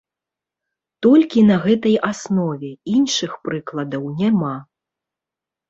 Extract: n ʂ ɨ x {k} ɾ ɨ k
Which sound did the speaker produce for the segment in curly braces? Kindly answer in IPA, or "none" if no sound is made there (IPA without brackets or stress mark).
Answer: p